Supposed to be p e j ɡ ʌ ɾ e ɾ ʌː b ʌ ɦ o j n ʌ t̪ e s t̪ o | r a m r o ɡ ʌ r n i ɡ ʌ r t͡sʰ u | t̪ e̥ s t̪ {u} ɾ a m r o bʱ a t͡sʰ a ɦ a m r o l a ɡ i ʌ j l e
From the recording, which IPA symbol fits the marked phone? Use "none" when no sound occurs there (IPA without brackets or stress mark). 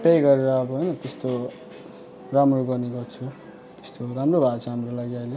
o